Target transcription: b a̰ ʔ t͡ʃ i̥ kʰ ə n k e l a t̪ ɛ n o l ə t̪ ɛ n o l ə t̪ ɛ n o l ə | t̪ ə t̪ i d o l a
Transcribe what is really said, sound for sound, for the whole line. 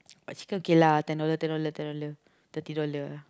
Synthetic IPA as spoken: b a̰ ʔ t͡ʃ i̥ k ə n k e l a t̪ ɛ n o l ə t̪ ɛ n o l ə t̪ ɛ n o l ə | t̪ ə t̪ i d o l ə

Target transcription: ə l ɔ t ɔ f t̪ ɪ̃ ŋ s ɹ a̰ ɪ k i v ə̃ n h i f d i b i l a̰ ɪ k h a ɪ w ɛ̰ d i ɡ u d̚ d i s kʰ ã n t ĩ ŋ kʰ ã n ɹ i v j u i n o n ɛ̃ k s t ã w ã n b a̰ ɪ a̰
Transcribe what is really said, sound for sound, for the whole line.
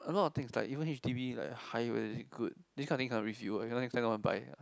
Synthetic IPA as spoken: ə l ɔ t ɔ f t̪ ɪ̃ ŋ s l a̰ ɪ k i v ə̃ n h i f d i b i l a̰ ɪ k h a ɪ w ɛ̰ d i ɡ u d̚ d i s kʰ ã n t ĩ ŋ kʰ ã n ɹ i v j u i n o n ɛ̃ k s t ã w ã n b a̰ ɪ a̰

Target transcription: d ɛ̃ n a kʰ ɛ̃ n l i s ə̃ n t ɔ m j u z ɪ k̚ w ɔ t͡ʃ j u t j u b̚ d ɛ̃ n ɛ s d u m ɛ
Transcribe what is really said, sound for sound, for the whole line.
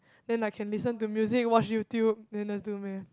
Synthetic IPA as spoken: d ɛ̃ n a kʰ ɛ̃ n l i s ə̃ n t u m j u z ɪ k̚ w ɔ t͡ʃ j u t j u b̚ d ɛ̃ n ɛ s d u m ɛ

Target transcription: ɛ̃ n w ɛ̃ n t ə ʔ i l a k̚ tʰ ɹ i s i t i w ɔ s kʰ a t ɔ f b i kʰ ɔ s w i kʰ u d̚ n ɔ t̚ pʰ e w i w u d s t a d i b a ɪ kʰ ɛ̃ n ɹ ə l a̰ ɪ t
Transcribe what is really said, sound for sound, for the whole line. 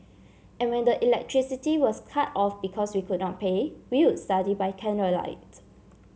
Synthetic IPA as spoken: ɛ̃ n w ɛ̃ n d ə ʔ i l ɛ k̚ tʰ ɹ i s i t i w ɔ s kʰ a t ɔ f b i kʰ ɔ s w i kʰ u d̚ n ɔ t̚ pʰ e w i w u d s t a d i b a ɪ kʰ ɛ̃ n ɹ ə l a̰ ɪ t

